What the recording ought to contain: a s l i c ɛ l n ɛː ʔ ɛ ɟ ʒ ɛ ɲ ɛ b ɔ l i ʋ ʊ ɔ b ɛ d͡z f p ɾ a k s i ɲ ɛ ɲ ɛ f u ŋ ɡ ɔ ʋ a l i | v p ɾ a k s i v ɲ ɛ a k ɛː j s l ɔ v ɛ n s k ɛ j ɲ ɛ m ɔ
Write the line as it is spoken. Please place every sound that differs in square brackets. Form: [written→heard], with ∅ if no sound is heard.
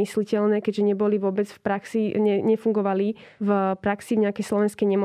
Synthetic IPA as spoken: [a→i] s l i c ɛ l n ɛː [ʔ→k] ɛ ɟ ʒ ɛ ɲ ɛ b ɔ l i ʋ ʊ ɔ b ɛ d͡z f p ɾ a k s i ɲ ɛ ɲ ɛ f u ŋ ɡ ɔ ʋ a l i | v p ɾ a k s i v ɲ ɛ a k [ɛː→ɛ] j s l ɔ [v→ʋ] ɛ n s k ɛ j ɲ ɛ m ɔ